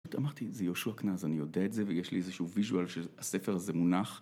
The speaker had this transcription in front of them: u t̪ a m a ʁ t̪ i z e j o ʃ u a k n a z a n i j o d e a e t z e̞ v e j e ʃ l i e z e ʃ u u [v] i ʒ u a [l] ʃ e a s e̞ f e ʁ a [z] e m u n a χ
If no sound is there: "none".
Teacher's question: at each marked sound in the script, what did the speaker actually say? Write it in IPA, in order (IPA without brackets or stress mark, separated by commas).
v, l, z